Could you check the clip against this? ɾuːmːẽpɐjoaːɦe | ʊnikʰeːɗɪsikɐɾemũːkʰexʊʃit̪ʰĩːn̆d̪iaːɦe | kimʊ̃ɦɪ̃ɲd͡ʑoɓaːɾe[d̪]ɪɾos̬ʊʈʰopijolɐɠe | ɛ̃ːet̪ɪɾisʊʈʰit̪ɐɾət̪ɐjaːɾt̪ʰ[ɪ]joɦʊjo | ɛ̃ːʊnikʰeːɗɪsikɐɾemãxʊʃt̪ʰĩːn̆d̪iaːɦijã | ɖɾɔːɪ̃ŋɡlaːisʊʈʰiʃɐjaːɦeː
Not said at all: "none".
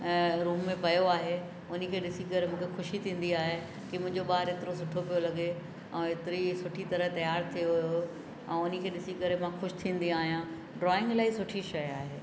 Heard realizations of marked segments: t̪, i

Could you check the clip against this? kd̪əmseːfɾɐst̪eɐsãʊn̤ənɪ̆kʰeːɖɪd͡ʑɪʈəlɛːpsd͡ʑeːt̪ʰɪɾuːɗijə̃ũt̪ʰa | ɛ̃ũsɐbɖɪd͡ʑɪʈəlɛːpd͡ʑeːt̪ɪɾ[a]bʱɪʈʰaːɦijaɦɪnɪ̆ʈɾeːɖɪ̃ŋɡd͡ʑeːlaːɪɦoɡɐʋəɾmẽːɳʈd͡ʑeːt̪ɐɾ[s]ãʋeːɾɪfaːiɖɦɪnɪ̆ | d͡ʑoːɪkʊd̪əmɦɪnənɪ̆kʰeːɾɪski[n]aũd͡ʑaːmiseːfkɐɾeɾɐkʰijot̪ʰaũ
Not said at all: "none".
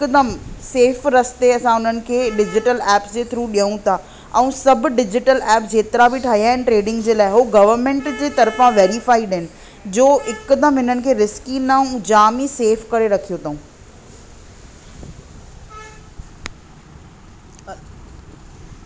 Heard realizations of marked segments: a, f, n

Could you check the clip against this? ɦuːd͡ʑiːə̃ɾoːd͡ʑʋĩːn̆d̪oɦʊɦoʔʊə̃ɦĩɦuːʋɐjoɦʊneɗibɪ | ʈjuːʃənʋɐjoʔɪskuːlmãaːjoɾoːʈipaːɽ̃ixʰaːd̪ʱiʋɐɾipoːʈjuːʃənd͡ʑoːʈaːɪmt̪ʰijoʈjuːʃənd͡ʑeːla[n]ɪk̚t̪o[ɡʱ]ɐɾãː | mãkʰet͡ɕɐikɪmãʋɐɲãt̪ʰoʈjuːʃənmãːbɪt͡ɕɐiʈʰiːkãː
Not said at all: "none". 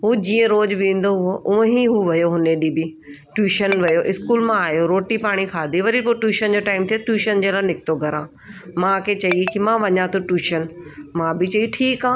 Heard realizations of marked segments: n, ɡʱ

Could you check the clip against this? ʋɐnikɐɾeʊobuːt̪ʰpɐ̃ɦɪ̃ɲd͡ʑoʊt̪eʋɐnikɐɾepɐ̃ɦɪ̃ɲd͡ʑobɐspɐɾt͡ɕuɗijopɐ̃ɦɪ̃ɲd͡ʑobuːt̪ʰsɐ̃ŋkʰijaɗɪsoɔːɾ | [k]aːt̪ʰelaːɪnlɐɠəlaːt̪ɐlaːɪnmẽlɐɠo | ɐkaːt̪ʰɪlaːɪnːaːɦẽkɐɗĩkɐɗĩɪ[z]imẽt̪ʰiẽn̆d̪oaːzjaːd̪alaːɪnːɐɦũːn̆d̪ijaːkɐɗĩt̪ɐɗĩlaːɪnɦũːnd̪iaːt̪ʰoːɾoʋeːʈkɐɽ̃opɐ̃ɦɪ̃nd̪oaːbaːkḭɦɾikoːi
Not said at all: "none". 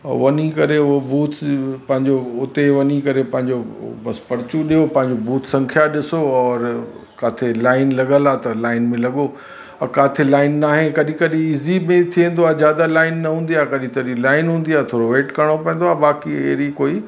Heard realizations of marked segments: k, z

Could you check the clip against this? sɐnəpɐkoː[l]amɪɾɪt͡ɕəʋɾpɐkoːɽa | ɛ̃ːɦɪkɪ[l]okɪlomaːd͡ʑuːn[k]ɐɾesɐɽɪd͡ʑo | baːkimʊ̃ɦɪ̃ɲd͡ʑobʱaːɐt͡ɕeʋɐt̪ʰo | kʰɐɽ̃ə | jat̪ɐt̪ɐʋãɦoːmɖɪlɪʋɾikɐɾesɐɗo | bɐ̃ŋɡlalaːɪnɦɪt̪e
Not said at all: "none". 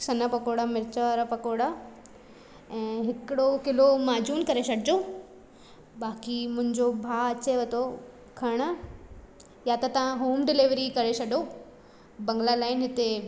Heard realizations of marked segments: ɽ, ɽ, k

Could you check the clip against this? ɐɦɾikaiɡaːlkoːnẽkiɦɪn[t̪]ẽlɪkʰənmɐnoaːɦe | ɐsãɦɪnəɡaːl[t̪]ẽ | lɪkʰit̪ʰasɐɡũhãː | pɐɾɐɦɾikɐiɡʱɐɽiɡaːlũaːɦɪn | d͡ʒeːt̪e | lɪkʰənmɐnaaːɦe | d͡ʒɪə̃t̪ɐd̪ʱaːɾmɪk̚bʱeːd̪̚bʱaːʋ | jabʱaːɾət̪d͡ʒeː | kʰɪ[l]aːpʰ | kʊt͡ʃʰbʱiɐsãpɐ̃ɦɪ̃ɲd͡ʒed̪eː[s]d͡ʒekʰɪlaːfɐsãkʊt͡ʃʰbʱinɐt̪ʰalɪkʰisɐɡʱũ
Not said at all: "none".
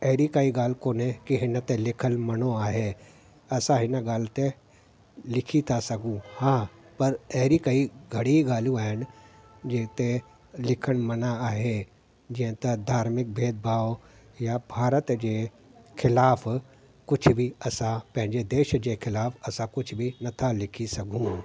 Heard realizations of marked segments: t̪, t̪, l, ʃ

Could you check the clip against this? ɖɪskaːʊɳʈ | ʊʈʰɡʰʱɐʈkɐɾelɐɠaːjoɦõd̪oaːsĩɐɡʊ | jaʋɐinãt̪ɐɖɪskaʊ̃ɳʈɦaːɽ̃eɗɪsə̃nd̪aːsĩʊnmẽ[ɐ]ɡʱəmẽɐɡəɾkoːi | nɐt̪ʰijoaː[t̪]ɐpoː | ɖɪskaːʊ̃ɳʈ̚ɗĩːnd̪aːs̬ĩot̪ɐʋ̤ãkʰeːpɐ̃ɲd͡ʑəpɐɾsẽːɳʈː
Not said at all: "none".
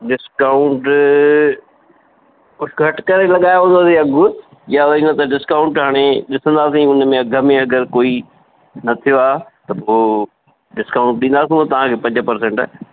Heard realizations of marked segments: ɐ, t̪

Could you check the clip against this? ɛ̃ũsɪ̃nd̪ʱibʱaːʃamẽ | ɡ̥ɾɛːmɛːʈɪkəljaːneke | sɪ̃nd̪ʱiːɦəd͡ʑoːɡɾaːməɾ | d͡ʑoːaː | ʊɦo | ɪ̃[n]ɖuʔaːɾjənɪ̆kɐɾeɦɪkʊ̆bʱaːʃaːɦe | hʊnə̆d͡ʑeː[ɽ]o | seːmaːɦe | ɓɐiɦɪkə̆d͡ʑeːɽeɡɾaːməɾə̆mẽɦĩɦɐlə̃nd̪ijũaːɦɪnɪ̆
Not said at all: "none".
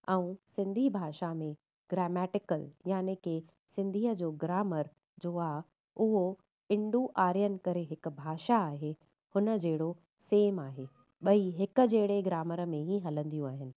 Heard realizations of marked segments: ɳ, ɽ

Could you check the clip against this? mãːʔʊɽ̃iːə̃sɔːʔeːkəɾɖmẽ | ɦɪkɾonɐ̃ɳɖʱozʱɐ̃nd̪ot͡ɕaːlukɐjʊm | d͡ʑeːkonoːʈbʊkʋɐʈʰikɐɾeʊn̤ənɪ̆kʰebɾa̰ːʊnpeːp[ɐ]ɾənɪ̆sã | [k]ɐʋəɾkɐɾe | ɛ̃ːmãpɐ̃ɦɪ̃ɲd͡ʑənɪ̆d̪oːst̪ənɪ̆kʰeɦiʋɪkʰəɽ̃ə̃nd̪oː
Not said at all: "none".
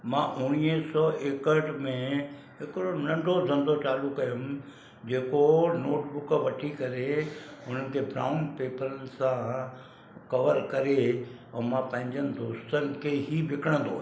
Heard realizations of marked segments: ə, k

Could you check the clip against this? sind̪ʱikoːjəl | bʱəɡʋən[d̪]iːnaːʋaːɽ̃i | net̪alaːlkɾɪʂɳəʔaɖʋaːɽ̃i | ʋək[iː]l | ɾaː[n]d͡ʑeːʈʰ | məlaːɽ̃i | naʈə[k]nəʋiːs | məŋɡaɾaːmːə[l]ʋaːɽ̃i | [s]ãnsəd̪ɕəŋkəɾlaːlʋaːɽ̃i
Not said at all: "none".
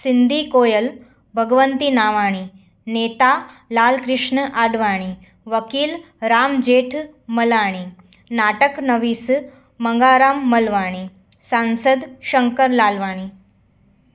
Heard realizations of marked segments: t̪, iː, m, k, l, s

